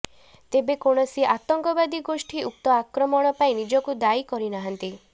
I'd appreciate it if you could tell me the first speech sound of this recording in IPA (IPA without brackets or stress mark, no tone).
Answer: t̪